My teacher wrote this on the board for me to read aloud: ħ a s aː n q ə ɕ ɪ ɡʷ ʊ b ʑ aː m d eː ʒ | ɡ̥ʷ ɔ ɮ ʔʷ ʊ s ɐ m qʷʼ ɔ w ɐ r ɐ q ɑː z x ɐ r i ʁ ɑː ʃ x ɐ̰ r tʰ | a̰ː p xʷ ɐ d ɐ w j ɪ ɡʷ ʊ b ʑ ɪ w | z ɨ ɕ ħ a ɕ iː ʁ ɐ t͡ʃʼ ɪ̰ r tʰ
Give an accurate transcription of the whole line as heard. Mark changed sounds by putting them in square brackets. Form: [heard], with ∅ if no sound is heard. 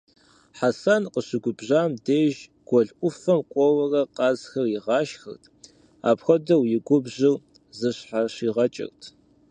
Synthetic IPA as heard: ħ a s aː n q ə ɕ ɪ ɡʷ ʊ b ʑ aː m d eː ʒ | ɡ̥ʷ ɔ ɮ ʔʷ ʊ [f] ɐ m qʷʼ ɔ w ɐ r ɐ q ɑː z x ɐ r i ʁ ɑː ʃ x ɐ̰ r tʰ | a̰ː p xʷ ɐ d ɐ w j ɪ ɡʷ ʊ b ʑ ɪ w | z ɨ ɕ ħ a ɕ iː ʁ ɐ t͡ʃʼ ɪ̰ r tʰ